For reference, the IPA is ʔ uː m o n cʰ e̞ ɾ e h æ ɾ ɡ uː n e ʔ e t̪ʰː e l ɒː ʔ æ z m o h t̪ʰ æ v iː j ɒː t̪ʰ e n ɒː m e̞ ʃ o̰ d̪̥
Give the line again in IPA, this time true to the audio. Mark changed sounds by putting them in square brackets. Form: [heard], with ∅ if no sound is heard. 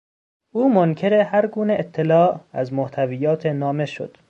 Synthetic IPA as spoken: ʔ uː m o n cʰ e̞ ɾ e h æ ɾ ɡ uː n e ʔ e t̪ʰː e l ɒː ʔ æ z m o h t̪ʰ æ v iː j ɒː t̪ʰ e n ɒː m e̞ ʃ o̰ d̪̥